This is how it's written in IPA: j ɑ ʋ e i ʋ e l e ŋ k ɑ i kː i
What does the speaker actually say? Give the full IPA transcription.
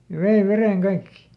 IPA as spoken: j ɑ ʋ e i ʋ e r e ŋ k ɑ i kː i